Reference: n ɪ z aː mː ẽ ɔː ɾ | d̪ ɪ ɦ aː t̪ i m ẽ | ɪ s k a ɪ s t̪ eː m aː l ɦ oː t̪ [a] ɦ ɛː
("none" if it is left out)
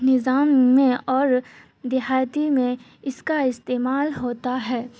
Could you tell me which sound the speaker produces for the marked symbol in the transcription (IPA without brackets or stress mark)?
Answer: a